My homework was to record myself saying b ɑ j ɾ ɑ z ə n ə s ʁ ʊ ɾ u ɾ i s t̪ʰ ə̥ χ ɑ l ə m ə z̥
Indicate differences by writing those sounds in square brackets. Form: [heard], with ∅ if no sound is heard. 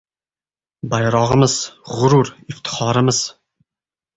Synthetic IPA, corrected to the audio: b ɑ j ɾ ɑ [ʁ] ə [m] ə [z] ʁ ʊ ɾ u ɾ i [f] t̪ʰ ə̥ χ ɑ [ɾ] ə m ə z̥